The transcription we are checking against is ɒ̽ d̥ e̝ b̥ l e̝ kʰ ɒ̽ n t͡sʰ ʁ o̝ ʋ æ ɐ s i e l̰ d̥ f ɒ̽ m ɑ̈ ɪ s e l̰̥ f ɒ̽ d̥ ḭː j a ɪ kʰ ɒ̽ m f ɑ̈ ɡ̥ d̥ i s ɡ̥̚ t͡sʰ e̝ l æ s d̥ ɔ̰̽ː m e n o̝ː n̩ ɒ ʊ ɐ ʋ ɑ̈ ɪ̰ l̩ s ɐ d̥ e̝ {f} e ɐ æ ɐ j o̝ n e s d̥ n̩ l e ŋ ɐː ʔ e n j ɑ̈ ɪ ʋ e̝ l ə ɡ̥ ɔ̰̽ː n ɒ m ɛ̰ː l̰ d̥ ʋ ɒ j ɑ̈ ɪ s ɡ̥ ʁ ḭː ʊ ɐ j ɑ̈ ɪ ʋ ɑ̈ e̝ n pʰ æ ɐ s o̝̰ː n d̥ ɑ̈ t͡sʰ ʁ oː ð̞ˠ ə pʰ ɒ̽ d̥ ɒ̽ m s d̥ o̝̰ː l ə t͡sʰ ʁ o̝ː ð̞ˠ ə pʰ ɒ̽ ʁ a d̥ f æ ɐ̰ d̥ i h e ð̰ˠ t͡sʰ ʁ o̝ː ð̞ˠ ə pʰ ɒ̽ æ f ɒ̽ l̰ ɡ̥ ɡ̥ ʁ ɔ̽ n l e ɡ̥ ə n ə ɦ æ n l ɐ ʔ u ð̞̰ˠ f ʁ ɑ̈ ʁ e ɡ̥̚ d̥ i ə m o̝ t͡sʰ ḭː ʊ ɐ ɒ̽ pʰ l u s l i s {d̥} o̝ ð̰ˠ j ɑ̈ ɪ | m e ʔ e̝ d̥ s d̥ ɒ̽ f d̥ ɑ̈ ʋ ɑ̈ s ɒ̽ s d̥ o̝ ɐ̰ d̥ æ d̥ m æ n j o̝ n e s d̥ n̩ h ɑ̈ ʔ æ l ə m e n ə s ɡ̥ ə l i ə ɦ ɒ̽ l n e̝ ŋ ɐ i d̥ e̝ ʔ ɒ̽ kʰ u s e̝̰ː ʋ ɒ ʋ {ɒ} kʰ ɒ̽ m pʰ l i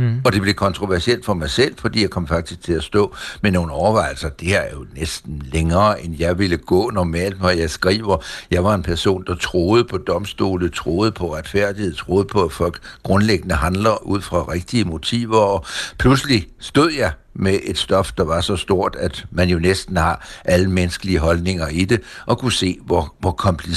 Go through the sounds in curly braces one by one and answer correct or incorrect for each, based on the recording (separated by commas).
incorrect, correct, correct